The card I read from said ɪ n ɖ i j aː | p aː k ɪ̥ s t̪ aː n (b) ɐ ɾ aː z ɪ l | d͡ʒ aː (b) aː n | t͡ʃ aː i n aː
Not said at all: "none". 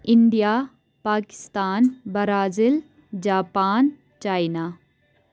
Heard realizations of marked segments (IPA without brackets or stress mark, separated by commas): b, p